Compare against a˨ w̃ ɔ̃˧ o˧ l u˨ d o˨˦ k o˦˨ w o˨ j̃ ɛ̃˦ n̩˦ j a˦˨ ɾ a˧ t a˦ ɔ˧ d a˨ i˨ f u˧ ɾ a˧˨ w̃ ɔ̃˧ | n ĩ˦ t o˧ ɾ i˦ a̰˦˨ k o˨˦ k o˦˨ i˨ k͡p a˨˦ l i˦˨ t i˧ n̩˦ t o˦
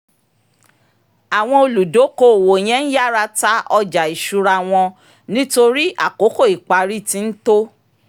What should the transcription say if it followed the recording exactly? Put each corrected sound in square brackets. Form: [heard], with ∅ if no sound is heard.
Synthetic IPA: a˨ w̃ ɔ̃˧ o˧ l u˨ d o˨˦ k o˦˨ w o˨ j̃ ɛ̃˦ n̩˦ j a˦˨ ɾ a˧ t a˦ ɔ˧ [d͡ʒ] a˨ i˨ [ʃ] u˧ ɾ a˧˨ w̃ ɔ̃˧ | n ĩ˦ t o˧ ɾ i˦ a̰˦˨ k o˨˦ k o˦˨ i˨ k͡p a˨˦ [ɾ] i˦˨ t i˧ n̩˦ t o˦